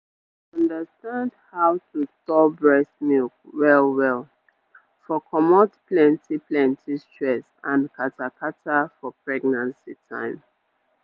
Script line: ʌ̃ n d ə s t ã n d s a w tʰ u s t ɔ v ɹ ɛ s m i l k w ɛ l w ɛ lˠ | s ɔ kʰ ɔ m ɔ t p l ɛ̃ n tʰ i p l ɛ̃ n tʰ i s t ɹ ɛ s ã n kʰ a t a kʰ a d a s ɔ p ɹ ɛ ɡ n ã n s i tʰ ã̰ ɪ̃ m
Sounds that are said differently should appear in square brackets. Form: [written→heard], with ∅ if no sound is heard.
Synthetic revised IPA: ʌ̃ n d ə s t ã n d [s→h] a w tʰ u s t ɔ [v→b] ɹ ɛ s m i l k w ɛ l w ɛ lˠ | [s→f] ɔ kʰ ɔ m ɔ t p l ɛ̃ n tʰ i p l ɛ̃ n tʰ i s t ɹ ɛ s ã n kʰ a t a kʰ a [d→t] a [s→f] ɔ p ɹ ɛ ɡ n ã n s i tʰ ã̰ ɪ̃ m